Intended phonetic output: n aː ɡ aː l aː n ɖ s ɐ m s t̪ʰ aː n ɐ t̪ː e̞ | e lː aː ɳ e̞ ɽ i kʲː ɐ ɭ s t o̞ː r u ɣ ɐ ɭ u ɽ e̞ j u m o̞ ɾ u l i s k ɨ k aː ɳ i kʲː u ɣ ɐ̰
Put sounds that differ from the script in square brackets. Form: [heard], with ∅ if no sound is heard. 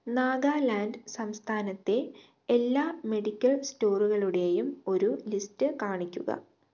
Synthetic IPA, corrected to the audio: n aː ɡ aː l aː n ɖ s ɐ m s t̪ʰ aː n ɐ t̪ː e̞ | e lː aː [m] e̞ ɽ i kʲː ɐ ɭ s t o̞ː r u ɣ ɐ ɭ u ɽ e̞ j u m o̞ ɾ u l i s [t] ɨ k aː ɳ i kʲː u ɣ ɐ̰